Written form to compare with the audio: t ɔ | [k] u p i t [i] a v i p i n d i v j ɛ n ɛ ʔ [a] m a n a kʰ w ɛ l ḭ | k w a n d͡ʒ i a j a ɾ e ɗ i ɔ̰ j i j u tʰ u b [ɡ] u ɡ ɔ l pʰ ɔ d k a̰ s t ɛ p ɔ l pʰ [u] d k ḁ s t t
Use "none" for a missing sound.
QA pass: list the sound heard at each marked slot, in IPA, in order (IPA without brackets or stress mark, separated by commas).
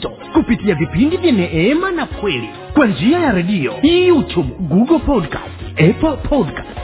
k, i, ɛ, ɡ, ɔ